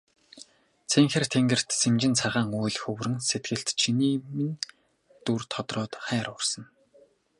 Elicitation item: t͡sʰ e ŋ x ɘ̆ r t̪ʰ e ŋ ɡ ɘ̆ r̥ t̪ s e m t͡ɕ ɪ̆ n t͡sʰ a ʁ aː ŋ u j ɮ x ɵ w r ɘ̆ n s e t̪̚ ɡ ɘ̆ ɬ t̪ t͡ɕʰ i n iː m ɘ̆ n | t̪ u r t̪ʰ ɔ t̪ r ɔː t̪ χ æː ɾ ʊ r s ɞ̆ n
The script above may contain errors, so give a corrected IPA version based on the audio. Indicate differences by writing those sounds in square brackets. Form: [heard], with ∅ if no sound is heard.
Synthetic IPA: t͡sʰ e ŋ x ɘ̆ r t̪ʰ e ŋ ɡ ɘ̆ r̥ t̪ s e m t͡ɕ ɪ̆ n t͡sʰ a ʁ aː ŋ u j ɮ x ɵ w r ɘ̆ n s e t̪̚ ɡ ɘ̆ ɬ t̪ t͡ɕʰ i n iː m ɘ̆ n | t̪ u r t̪ʰ ɔ t̪ r ɔː t̪ χ æː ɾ ʊ r s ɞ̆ n